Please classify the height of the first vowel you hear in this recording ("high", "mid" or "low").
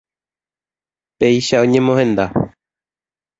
mid